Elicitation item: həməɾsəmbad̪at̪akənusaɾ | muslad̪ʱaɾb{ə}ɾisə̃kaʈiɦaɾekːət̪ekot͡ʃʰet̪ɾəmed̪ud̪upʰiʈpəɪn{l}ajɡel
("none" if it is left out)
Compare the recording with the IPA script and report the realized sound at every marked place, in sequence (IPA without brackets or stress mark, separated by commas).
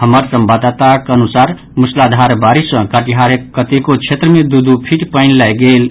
a, l